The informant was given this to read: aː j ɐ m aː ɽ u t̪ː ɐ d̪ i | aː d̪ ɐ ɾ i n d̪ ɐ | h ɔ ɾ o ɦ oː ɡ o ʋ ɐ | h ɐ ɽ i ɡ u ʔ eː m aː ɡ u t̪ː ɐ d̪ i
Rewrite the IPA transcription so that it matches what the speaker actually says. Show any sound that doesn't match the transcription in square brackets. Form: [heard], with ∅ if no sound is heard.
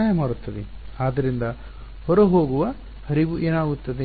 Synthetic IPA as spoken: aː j ɐ m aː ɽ u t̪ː ɐ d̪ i | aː d̪ ɐ ɾ i n d̪ ɐ | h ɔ ɾ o ɦ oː ɡ [u] ʋ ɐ | h ɐ [ɾ] i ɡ u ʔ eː [n] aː ɡ u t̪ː ɐ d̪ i